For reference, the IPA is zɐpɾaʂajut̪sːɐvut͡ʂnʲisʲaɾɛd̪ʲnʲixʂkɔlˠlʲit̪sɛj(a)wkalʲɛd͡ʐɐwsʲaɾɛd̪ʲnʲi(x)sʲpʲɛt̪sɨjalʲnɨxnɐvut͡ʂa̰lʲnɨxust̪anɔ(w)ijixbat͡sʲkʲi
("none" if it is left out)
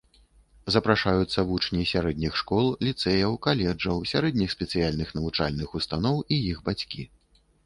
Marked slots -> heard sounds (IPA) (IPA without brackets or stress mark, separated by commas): ɐ, x, w